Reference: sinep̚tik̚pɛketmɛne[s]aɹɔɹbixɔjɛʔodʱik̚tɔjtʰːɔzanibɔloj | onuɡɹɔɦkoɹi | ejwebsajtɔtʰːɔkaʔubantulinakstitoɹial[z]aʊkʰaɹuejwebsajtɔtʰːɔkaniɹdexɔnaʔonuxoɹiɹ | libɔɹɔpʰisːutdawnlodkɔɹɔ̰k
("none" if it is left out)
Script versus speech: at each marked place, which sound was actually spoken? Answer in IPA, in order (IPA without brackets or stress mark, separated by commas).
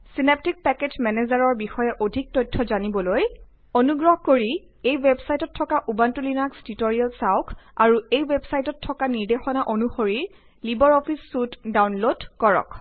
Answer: z, s